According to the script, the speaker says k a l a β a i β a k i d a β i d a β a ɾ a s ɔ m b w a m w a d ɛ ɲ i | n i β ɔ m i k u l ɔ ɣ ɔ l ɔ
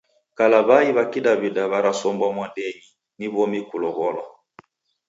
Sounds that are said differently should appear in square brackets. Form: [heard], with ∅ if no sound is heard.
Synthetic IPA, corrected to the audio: k a l a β a i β a k i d a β i d a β a ɾ a s ɔ m b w a m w a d ɛ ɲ i | n i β ɔ m i k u l ɔ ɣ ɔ l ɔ